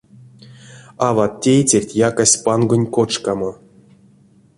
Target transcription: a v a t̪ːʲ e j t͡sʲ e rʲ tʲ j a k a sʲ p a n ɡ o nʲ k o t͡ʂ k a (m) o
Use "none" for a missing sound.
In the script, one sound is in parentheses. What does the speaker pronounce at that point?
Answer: m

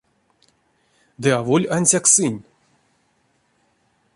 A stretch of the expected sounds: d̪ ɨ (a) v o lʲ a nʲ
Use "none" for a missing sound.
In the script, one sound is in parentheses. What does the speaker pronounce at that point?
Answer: a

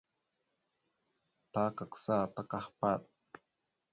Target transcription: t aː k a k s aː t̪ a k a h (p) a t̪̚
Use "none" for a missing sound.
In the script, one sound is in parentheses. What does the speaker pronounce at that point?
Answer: p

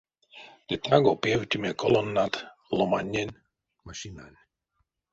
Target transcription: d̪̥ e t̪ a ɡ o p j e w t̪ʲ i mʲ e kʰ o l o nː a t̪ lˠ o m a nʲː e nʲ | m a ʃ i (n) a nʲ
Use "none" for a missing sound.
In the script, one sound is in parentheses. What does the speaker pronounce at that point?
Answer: n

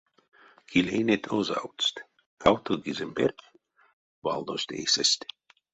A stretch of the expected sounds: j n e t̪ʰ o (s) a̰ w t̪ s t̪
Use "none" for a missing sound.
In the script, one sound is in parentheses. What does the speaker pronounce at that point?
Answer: z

